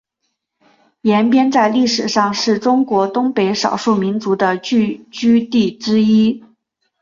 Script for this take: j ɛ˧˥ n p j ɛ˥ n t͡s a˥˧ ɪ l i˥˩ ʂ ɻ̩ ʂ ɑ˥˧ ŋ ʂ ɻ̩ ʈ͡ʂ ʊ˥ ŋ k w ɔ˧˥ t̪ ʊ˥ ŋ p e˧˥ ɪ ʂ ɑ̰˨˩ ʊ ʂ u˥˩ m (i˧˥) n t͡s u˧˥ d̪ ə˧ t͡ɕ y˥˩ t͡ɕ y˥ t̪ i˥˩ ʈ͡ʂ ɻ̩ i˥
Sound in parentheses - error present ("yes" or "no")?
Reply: no